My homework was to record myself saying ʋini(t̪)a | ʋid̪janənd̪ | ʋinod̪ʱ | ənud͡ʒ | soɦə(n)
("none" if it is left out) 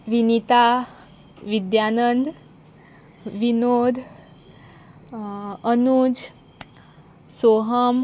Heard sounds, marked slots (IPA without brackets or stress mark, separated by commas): t̪, m